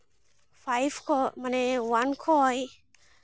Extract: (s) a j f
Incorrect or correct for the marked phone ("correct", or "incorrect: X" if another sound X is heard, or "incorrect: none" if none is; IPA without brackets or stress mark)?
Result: incorrect: f